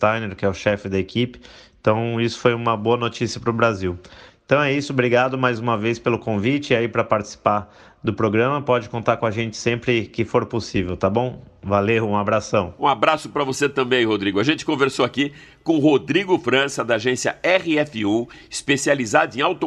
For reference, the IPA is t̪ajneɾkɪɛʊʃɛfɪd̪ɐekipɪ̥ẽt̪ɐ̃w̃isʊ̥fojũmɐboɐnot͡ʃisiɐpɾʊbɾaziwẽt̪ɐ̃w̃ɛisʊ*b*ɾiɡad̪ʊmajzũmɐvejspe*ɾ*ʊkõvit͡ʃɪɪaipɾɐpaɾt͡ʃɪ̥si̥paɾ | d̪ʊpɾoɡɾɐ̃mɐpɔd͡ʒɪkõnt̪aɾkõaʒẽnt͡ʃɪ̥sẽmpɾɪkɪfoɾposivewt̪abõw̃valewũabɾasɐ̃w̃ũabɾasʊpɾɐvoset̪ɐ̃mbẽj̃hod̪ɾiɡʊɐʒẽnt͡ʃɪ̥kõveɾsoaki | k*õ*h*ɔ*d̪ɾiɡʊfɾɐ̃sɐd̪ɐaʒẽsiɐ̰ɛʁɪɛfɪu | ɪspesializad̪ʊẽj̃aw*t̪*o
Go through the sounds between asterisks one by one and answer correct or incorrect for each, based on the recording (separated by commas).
correct, incorrect, correct, incorrect, correct